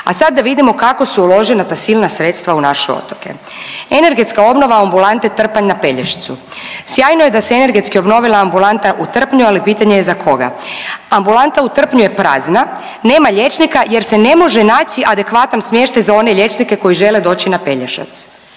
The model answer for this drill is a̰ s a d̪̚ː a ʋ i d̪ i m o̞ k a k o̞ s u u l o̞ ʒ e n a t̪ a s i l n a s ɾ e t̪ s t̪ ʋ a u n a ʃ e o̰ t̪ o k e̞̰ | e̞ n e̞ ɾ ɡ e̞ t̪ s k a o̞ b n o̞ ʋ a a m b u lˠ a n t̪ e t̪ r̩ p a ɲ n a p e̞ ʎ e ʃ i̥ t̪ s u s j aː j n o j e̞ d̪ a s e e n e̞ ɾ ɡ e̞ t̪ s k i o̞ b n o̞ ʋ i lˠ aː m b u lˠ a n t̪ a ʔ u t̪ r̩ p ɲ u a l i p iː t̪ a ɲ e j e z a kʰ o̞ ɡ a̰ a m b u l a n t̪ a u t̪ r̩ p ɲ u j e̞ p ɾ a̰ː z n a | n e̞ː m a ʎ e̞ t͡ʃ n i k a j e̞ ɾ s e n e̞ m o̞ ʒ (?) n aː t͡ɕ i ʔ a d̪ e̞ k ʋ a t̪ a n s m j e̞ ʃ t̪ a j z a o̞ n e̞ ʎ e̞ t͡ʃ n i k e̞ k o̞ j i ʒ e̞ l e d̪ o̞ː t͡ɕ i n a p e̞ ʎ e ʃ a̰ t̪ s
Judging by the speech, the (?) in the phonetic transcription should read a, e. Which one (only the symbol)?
e